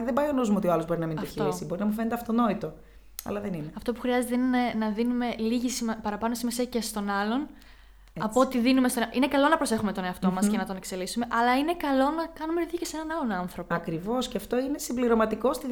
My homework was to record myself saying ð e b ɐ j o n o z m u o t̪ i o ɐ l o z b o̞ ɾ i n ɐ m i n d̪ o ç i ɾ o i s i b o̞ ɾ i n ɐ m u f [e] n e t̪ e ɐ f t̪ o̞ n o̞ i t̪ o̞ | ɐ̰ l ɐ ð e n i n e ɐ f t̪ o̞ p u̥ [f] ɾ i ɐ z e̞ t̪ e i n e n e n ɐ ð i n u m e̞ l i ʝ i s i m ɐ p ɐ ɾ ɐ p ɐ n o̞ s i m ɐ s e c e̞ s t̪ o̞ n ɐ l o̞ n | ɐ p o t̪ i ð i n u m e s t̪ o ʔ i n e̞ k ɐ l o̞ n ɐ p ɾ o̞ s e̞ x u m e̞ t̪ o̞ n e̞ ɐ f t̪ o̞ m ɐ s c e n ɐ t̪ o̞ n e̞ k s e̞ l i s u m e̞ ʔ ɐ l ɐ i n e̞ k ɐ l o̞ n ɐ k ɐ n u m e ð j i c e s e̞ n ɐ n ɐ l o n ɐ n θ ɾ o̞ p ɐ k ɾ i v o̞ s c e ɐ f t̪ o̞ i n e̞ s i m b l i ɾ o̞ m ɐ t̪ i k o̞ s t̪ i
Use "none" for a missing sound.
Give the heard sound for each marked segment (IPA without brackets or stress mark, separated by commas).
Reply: e, x